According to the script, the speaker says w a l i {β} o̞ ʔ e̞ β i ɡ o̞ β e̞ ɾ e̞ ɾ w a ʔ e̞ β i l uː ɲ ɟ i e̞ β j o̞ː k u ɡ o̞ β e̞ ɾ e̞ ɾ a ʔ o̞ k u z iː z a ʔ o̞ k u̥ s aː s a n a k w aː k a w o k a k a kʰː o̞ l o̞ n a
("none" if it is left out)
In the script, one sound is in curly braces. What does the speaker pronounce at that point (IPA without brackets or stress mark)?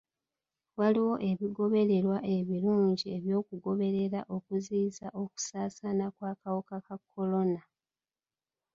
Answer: w